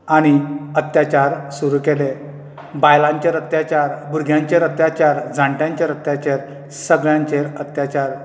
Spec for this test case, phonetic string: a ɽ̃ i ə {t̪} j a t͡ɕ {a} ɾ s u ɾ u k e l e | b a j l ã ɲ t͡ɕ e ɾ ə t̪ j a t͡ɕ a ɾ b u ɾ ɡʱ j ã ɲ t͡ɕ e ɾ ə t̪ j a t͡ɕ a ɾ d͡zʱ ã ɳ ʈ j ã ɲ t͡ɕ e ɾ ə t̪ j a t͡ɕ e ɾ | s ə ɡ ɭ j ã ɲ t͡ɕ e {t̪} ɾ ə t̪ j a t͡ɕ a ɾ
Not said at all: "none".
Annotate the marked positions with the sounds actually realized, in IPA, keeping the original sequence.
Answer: t̪, a, none

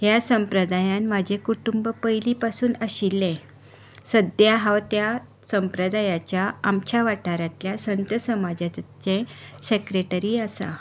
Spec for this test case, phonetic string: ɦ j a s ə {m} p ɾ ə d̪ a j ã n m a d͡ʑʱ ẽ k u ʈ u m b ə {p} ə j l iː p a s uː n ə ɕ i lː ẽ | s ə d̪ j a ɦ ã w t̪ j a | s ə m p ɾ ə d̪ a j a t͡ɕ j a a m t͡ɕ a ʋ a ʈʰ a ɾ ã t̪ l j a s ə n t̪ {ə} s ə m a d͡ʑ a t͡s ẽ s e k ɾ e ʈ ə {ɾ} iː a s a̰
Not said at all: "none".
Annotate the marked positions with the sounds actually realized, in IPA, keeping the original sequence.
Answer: m, p, ə, ɾ

